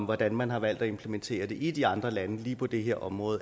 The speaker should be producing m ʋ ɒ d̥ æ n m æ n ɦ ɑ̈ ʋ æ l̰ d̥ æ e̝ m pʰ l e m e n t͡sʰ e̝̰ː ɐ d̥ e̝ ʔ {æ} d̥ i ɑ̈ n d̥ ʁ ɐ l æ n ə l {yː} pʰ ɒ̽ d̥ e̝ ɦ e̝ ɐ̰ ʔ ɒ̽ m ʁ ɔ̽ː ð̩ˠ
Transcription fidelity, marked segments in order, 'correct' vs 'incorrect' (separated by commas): incorrect, incorrect